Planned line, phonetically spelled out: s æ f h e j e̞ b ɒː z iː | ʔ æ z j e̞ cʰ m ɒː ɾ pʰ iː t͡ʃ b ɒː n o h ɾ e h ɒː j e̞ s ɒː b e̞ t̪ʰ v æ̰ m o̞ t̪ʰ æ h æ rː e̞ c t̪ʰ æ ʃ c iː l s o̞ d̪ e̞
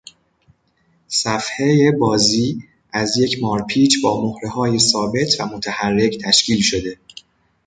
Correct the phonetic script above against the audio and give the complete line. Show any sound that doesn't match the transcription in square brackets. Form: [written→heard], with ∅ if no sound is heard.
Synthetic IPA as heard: s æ f h e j e̞ b ɒː z iː | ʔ æ z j e̞ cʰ m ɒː ɾ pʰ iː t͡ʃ b ɒː [n→m] o h ɾ e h ɒː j e̞ s ɒː b e̞ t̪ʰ v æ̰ m o̞ t̪ʰ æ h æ rː e̞ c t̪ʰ æ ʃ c iː l [s→ʃ] o̞ d̪ e̞

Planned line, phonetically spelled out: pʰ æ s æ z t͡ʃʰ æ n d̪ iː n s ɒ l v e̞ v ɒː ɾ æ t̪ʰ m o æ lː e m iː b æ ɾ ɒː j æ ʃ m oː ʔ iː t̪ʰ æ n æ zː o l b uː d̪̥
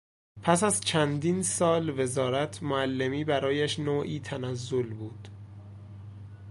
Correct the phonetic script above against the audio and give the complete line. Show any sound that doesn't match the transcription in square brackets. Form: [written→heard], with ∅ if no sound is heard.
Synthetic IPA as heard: pʰ æ s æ z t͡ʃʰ æ n d̪ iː n s [ɒ→ɒː] l v e̞ [v→z] ɒː ɾ æ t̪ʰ m o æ lː e m iː b æ ɾ ɒː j æ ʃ [m→n] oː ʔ iː t̪ʰ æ n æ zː o l b uː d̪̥

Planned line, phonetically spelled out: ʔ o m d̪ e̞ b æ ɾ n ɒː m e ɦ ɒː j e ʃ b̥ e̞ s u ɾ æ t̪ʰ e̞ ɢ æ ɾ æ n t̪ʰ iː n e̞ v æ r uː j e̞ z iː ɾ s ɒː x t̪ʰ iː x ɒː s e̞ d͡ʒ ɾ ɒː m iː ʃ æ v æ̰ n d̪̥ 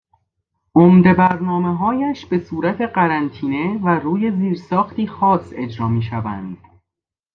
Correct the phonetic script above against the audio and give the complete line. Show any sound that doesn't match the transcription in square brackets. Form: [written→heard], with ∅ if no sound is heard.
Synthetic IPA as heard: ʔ o m d̪ e̞ b æ ɾ n ɒː m e ɦ ɒː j [e→æ] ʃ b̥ e̞ s [u→uː] ɾ æ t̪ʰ e̞ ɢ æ ɾ æ n t̪ʰ iː n e̞ v æ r uː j e̞ z iː ɾ s ɒː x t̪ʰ iː x ɒː s e̞ d͡ʒ ɾ ɒː m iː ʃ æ v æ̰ n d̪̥

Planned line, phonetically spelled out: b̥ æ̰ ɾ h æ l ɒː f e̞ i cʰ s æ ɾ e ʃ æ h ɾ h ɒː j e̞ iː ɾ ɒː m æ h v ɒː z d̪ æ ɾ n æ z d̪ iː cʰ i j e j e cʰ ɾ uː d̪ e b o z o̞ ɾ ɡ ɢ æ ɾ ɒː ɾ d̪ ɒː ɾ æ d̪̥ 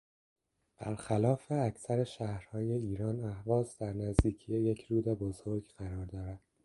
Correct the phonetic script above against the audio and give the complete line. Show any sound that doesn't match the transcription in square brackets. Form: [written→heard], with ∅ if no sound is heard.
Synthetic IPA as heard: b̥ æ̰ ɾ [h→x] æ l ɒː f e̞ [i→æ] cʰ s æ ɾ e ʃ æ h ɾ h ɒː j e̞ iː ɾ ɒː [m→n] æ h v ɒː z d̪ æ ɾ n æ z d̪ iː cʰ i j e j e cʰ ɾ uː d̪ e b o z o̞ ɾ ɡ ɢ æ ɾ ɒː ɾ d̪ ɒː ɾ æ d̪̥

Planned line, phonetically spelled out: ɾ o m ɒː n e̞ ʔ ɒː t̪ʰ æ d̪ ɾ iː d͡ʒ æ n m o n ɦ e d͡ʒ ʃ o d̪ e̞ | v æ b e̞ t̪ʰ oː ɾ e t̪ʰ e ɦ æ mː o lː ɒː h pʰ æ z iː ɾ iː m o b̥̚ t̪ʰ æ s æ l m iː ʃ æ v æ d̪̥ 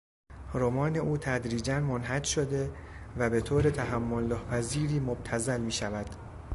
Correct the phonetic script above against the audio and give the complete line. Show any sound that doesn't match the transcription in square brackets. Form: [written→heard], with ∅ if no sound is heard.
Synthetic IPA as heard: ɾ o m ɒː n e̞ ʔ [ɒː→uː] t̪ʰ æ d̪ ɾ iː d͡ʒ æ n m o n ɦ [e→æ] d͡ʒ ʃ o d̪ e̞ | v æ b e̞ t̪ʰ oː ɾ e t̪ʰ [e→æ] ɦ æ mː o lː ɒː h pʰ æ z iː ɾ iː m o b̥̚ t̪ʰ æ [s→z] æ l m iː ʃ æ v æ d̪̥

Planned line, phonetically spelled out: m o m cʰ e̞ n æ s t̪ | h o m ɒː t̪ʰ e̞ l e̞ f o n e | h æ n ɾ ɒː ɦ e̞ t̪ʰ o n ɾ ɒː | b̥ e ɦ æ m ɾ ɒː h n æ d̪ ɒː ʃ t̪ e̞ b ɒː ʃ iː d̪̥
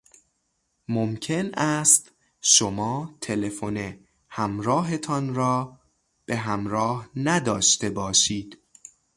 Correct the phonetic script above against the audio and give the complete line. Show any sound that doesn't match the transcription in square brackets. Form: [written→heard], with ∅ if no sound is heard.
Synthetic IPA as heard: m o m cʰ e̞ n æ s t̪ | [h→ʃ] o m ɒː t̪ʰ e̞ l e̞ f o n e | h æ [n→m] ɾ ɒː ɦ e̞ t̪ʰ [o→ɒ] n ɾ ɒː | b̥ e ɦ æ m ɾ ɒː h n æ d̪ ɒː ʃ t̪ e̞ b ɒː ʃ iː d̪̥

